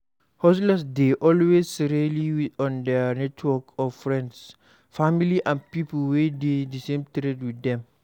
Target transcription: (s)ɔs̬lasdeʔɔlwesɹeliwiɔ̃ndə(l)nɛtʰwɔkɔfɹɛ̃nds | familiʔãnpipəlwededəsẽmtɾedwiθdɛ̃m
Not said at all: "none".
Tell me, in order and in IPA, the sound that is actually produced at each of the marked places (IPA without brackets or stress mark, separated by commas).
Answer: h, none